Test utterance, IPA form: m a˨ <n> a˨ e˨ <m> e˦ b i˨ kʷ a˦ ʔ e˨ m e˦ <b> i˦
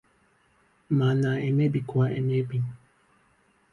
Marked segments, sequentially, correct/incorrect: correct, correct, correct

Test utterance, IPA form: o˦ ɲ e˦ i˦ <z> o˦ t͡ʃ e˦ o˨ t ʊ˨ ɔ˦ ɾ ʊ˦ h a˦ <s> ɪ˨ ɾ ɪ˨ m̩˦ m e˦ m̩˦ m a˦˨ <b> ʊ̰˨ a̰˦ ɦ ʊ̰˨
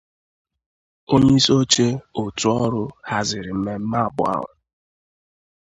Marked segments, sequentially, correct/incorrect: incorrect, incorrect, correct

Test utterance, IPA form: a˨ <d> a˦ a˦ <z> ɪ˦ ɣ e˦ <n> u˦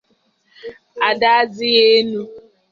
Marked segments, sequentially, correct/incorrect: correct, correct, correct

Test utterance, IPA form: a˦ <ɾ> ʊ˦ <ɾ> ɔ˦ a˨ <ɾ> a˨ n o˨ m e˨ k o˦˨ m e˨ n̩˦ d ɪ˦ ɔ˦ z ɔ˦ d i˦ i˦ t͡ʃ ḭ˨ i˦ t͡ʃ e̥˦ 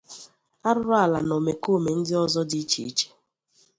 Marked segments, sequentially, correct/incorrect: correct, correct, incorrect

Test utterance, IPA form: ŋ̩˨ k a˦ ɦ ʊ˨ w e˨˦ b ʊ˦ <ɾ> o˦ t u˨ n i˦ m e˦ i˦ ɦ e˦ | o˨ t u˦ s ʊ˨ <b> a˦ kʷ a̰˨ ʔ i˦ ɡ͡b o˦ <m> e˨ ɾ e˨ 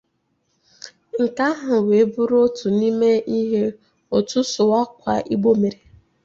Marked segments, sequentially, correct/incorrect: correct, incorrect, correct

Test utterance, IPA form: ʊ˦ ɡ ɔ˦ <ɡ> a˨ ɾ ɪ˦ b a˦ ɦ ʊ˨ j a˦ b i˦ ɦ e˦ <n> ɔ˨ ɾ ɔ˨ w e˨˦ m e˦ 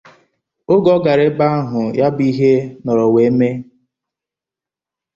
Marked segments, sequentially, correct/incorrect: correct, correct

